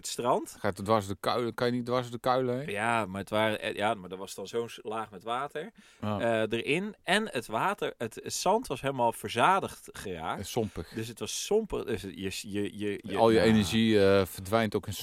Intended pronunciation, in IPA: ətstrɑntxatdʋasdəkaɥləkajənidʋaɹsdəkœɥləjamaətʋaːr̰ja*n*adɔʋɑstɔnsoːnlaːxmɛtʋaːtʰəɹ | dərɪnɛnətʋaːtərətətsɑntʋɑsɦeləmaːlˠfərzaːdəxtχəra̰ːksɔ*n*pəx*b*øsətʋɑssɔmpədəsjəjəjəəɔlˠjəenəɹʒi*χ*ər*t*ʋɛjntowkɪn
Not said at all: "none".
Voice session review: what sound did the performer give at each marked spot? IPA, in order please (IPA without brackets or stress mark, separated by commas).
m, m, d, f, d